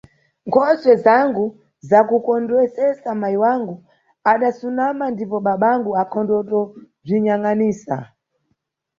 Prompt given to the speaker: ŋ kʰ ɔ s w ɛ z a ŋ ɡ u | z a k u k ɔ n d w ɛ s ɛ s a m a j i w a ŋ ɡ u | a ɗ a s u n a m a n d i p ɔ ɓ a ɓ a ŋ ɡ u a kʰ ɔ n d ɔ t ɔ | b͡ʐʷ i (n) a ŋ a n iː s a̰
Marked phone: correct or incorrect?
incorrect